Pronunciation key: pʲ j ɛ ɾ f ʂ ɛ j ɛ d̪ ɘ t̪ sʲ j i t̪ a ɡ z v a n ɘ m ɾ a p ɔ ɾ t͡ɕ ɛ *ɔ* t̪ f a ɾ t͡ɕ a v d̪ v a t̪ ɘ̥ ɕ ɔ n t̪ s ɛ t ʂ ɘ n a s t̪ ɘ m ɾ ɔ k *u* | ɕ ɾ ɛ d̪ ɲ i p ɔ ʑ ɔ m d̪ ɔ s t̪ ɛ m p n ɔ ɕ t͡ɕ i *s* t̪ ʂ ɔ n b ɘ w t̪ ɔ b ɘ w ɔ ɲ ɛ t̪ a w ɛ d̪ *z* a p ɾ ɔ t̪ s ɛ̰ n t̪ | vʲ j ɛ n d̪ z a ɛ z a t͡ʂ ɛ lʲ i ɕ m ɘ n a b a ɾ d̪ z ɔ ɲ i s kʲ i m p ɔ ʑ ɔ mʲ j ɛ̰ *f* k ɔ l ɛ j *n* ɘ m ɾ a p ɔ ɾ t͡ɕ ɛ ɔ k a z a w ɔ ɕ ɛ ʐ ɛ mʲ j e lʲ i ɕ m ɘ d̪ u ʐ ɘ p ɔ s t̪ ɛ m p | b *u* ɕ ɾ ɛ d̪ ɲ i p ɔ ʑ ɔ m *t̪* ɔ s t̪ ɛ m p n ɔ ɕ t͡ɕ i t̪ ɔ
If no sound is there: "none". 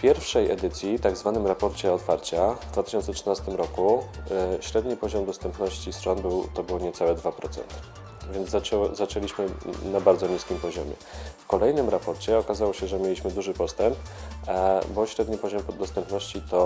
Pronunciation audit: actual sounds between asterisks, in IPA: ɔ, u, s, v, f, n, ɔ, d̪

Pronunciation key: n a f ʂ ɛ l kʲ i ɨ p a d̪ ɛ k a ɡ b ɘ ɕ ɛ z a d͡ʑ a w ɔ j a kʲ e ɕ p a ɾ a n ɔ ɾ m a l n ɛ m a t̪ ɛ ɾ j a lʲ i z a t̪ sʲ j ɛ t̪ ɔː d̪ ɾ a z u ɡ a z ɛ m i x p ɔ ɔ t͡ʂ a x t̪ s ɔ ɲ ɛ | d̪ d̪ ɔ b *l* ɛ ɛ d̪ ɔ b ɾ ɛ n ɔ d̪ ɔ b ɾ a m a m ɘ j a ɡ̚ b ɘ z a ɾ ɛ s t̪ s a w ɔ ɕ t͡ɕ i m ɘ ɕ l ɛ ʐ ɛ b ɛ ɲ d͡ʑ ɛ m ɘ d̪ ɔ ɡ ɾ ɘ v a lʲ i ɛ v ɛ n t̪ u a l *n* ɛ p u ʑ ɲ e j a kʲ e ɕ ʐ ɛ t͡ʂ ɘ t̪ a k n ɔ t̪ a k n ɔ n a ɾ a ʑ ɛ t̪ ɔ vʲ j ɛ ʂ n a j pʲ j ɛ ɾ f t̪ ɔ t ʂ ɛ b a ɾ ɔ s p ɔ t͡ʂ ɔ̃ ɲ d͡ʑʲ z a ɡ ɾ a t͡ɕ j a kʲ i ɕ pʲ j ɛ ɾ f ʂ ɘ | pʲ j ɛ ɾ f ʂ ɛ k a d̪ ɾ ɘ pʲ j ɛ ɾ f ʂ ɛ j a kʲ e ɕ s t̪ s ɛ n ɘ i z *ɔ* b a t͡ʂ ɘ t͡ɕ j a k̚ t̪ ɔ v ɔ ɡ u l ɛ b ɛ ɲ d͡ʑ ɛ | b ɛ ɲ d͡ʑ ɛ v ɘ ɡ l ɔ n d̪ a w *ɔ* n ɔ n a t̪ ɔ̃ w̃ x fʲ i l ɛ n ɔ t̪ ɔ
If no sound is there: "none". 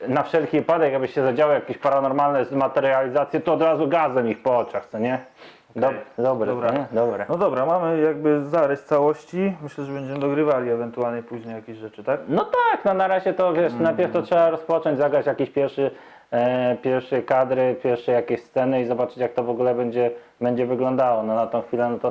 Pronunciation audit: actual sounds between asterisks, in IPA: ɾ, ɲ, ɔ, ɔ

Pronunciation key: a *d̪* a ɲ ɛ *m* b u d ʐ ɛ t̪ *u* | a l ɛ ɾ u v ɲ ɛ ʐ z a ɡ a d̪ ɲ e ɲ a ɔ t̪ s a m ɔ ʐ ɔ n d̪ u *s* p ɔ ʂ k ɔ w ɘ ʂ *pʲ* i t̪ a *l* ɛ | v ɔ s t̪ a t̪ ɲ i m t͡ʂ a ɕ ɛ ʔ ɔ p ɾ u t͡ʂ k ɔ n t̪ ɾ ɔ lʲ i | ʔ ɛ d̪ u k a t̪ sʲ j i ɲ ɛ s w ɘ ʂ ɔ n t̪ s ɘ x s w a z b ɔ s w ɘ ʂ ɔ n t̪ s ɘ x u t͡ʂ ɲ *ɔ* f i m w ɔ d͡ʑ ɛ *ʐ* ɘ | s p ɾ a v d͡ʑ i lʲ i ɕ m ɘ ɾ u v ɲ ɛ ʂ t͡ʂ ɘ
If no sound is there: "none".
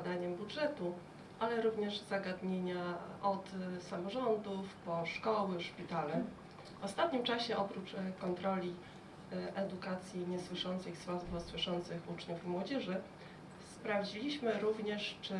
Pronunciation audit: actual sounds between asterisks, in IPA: d̪, m, u, f, pʲ, l, u, ʐ

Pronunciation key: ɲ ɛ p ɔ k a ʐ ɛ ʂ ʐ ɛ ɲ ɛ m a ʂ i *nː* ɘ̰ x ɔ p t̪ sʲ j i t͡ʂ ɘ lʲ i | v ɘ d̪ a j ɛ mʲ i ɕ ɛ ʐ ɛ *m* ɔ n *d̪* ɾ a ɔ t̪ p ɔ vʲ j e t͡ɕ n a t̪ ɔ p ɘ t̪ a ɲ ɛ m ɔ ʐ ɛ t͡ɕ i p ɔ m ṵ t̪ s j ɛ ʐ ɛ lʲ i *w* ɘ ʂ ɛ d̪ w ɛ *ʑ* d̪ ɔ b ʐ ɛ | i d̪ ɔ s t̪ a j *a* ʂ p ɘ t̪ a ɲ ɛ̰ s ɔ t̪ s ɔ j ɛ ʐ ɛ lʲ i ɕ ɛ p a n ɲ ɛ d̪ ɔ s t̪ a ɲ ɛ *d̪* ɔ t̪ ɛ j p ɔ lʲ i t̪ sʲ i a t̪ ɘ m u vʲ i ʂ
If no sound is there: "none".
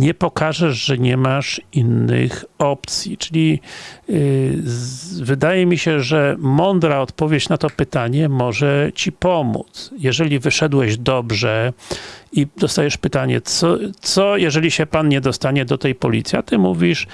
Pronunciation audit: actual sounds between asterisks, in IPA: nː, m, d̪, v, ʑ, ɛ, d̪

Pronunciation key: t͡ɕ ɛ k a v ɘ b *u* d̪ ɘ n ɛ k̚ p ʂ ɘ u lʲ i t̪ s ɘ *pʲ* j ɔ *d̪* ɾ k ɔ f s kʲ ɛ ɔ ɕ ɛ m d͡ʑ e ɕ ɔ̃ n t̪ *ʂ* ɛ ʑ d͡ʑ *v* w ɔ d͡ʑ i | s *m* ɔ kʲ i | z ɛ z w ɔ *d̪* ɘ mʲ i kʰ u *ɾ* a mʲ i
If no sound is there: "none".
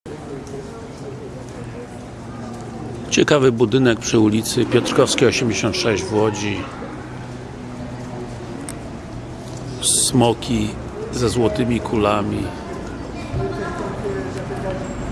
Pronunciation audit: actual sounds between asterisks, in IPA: u, pʲ, t̪, ʂ, v, m, t̪, l

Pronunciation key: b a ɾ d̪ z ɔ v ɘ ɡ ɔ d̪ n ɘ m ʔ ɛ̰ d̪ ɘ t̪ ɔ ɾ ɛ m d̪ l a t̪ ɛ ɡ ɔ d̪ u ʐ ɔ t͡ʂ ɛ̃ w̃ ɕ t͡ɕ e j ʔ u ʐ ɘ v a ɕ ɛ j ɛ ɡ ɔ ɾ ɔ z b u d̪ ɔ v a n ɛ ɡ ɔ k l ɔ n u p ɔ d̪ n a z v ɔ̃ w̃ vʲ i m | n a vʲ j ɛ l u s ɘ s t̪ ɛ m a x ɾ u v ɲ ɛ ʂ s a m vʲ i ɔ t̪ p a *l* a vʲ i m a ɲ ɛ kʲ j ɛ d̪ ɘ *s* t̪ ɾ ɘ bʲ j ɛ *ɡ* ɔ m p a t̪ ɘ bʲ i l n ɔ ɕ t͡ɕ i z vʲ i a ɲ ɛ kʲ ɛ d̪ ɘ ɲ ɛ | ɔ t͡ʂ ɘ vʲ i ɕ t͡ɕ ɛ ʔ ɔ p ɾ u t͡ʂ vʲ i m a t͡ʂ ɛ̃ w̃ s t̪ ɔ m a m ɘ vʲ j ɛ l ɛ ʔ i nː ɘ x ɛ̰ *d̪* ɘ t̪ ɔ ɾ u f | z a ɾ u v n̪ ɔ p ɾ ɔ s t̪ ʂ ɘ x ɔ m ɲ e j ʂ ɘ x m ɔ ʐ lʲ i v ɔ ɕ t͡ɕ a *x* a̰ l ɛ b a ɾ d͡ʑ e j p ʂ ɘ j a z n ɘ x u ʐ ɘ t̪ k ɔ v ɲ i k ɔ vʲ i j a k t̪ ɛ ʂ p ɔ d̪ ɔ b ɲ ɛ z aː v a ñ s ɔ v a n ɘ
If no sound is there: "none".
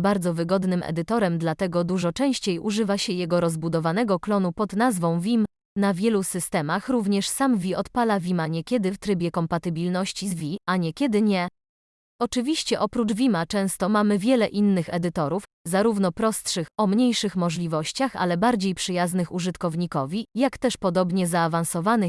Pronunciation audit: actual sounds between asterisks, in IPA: l, f, k, d̪, x

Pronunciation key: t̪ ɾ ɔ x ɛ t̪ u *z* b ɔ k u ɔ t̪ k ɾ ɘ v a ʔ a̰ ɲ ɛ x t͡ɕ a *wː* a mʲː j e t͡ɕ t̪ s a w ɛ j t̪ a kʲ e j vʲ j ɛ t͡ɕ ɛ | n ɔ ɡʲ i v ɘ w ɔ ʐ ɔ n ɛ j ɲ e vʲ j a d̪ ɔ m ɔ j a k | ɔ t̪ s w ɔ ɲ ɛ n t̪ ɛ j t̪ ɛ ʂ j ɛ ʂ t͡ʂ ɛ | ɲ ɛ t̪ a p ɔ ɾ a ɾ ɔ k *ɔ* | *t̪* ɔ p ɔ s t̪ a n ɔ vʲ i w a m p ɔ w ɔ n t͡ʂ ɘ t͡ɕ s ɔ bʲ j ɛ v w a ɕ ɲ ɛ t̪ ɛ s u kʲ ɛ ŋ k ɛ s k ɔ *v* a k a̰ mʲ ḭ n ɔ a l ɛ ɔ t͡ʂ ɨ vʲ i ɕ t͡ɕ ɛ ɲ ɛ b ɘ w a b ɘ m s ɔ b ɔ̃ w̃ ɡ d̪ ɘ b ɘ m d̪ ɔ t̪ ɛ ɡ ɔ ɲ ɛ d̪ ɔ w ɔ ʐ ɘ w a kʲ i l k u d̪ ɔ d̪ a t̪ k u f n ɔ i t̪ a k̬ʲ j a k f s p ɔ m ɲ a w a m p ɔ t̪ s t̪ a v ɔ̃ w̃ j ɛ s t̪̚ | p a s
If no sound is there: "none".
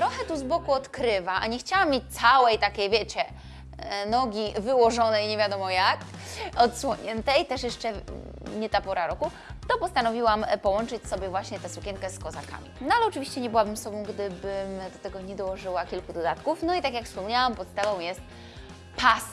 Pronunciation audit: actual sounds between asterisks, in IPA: z, w, u, t̪, z

